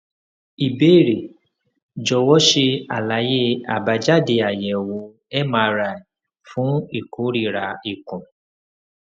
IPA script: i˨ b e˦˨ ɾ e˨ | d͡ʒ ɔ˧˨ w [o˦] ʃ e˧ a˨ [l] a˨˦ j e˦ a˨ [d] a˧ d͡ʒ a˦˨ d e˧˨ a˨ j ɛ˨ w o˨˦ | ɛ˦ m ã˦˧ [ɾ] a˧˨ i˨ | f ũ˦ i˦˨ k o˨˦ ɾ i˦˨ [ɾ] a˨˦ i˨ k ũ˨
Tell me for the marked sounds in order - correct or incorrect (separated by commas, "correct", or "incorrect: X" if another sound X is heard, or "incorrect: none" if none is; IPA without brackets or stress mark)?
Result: incorrect: ɔ˦, correct, incorrect: b, correct, correct